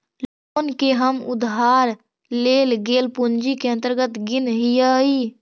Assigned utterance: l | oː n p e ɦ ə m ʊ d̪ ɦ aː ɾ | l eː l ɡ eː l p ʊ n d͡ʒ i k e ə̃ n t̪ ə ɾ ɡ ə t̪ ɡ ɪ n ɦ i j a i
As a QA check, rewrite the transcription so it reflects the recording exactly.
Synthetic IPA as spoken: l | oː n k e ɦ ə m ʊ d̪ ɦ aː ɾ | l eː l ɡ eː l p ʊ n d͡ʒ i k e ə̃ n t̪ ə ɾ ɡ ə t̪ ɡ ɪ n ɦ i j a i